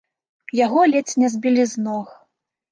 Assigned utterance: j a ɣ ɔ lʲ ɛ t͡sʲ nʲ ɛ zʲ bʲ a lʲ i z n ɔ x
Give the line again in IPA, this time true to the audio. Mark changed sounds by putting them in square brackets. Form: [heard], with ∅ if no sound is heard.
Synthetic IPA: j a ɣ ɔ lʲ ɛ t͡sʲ nʲ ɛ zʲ bʲ [i] lʲ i z n ɔ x